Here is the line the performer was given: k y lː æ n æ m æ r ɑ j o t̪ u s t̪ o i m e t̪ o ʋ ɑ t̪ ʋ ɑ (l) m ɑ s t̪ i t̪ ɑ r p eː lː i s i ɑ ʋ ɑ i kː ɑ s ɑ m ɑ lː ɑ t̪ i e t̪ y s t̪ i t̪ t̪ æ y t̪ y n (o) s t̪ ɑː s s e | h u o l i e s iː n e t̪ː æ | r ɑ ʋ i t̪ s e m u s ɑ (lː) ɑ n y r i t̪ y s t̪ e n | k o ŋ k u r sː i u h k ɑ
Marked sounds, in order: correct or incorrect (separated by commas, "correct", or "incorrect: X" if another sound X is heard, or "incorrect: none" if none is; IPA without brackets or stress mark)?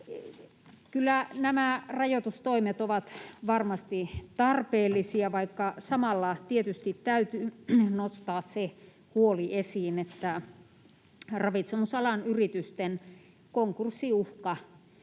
incorrect: r, correct, incorrect: l